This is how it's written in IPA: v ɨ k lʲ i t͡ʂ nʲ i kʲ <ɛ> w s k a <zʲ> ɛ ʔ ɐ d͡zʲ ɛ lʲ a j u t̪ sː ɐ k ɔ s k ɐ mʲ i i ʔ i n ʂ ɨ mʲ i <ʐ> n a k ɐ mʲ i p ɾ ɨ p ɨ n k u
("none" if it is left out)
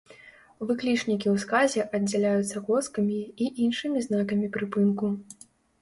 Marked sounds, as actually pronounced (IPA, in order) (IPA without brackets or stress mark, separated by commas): i, zʲ, z